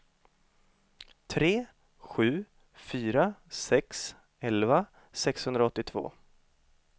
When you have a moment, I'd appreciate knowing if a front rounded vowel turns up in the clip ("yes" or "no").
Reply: yes